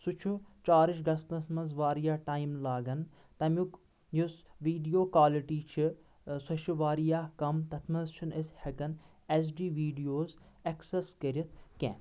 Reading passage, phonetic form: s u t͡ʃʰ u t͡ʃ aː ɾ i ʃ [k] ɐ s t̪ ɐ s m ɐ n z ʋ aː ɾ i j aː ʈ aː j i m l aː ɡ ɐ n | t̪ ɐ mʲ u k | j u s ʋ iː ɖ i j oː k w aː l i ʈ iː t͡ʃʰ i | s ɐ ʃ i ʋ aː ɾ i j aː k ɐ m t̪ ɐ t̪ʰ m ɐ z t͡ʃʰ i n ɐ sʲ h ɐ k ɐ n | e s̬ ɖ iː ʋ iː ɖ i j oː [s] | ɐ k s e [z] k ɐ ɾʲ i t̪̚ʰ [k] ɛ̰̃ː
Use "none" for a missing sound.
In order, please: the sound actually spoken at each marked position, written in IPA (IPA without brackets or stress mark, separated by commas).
ɡ, z, s, k